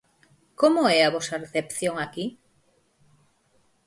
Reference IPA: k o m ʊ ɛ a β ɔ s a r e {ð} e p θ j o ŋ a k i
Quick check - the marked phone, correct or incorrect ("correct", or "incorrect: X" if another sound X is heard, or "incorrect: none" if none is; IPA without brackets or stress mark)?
incorrect: θ